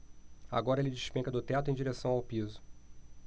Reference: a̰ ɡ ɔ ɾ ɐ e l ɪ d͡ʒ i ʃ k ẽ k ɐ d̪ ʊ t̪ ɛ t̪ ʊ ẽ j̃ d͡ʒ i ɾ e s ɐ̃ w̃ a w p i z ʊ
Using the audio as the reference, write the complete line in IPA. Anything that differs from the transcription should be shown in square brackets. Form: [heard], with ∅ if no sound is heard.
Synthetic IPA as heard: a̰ ɡ ɔ ɾ ɐ e l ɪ d͡ʒ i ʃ [p] ẽ k ɐ d̪ ʊ t̪ ɛ t̪ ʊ ẽ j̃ d͡ʒ i ɾ e s ɐ̃ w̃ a w p i z ʊ